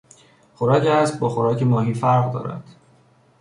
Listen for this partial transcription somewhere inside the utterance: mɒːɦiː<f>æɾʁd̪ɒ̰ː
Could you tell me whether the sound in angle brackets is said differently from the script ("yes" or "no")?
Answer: no